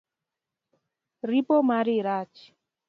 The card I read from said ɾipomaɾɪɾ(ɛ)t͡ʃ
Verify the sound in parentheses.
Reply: incorrect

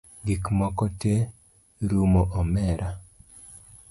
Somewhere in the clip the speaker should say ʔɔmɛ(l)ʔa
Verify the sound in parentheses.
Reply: incorrect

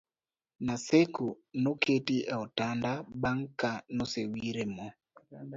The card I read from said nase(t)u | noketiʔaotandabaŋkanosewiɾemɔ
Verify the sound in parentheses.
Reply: incorrect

